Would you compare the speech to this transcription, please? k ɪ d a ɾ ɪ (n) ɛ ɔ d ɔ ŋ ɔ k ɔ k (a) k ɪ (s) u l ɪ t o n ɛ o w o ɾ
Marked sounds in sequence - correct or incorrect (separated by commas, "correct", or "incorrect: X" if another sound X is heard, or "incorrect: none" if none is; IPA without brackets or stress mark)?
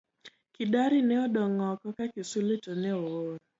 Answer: correct, correct, correct